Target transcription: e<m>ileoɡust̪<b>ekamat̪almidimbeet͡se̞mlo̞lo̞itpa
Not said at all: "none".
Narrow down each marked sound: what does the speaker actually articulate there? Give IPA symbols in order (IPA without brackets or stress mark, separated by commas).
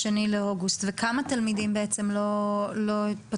n, v